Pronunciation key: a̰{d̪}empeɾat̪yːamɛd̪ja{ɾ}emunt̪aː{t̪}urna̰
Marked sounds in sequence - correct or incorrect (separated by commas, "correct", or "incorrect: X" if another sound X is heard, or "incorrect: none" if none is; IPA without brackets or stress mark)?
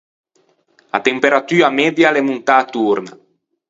incorrect: t̪, incorrect: l, correct